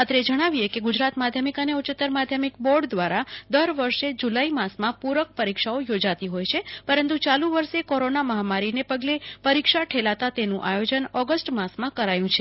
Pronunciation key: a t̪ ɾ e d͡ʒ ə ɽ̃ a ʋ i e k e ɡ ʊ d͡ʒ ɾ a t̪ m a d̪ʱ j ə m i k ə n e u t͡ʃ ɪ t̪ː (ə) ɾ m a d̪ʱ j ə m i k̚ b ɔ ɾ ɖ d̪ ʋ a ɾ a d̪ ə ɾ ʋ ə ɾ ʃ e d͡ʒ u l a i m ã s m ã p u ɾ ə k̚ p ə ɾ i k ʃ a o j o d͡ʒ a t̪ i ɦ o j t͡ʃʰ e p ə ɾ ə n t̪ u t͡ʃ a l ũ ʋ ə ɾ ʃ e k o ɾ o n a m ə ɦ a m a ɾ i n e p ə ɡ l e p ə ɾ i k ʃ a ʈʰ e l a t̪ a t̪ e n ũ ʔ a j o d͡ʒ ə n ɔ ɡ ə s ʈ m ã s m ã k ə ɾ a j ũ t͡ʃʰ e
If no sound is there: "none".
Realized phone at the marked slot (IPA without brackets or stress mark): ə